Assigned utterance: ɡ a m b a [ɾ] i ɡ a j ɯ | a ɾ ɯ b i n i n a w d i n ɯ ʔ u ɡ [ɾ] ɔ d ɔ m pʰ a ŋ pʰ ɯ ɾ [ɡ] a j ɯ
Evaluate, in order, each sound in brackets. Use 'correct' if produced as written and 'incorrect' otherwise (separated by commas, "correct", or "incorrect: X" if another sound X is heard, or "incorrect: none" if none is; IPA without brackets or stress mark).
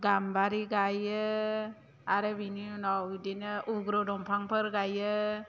correct, correct, correct